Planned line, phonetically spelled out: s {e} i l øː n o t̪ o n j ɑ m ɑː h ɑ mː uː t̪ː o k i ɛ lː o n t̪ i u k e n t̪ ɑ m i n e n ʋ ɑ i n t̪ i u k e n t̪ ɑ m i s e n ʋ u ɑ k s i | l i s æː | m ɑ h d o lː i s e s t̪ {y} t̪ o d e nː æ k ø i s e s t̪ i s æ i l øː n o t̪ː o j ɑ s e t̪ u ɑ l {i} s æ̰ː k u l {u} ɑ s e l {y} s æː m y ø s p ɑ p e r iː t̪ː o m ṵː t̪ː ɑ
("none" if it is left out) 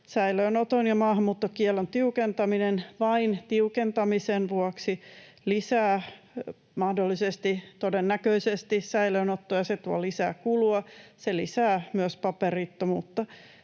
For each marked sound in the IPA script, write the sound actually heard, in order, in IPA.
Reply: æ, i, i, u, i

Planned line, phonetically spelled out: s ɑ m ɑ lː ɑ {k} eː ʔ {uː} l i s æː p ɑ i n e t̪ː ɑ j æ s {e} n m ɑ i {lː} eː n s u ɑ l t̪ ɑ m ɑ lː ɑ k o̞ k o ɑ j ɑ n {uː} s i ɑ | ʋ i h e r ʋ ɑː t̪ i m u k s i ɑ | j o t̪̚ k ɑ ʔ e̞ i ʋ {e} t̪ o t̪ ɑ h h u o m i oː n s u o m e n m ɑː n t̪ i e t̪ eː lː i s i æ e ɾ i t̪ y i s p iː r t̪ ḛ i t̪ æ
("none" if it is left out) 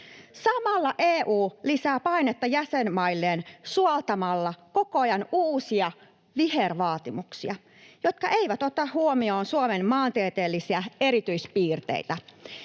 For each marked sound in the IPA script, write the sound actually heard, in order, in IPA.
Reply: ʔ, uː, e, lː, uː, æ

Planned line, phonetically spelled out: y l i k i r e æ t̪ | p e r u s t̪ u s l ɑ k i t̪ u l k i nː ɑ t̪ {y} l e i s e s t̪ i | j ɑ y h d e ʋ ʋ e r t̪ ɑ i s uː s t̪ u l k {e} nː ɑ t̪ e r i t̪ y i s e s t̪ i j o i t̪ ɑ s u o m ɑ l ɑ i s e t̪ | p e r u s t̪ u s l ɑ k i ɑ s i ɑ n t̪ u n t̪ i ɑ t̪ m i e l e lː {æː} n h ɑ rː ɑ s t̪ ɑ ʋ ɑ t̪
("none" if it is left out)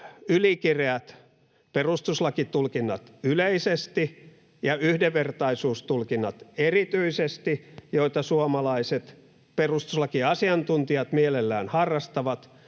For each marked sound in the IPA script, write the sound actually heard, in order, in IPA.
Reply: y, i, æː

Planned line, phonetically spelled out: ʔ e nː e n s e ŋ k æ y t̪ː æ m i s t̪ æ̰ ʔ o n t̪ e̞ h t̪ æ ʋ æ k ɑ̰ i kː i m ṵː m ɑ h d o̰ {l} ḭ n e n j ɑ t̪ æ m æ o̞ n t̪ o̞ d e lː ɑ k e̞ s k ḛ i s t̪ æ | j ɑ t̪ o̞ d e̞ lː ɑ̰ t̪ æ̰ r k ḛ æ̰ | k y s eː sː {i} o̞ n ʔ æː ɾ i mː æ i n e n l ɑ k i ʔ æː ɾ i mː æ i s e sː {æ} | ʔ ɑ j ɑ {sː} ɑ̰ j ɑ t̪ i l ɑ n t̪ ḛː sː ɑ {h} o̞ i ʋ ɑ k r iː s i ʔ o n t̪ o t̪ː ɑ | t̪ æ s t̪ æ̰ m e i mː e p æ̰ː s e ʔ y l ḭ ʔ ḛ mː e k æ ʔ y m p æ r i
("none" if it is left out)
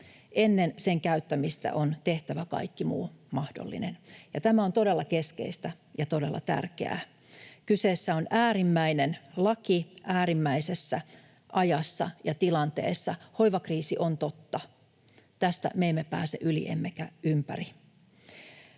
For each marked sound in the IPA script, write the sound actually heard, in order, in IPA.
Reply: lː, æ, æ, sː, h

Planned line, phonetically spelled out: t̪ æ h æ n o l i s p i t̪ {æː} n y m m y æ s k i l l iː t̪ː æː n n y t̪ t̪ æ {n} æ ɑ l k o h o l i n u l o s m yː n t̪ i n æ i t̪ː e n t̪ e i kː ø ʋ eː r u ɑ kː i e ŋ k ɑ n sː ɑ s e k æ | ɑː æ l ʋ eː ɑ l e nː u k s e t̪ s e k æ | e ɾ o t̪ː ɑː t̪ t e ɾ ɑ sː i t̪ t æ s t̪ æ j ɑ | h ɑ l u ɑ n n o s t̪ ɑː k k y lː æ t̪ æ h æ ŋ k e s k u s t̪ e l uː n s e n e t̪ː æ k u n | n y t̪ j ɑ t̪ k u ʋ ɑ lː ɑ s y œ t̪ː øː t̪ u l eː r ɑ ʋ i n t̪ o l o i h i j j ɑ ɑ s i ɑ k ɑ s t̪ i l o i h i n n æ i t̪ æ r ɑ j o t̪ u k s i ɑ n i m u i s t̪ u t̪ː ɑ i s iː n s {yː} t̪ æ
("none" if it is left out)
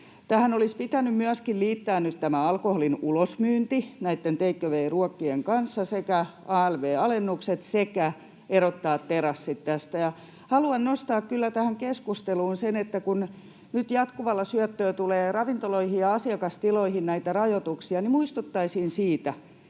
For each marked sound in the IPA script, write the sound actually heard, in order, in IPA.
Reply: æ, m, iː

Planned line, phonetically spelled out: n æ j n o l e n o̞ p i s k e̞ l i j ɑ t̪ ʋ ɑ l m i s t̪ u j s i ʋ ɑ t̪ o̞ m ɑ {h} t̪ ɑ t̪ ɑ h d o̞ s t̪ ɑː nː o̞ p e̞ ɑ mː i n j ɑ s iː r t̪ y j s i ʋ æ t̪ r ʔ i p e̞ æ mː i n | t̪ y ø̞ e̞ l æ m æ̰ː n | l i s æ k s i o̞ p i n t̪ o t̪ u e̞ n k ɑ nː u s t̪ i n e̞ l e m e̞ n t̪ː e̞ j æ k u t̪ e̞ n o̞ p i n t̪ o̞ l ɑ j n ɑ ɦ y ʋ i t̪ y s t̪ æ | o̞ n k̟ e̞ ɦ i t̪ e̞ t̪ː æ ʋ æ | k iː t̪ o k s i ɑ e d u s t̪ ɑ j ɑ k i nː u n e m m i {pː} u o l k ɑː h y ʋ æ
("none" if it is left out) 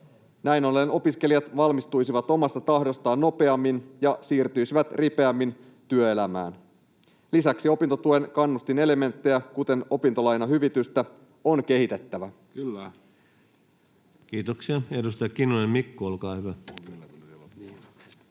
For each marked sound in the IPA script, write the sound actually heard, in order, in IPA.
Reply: s, kː

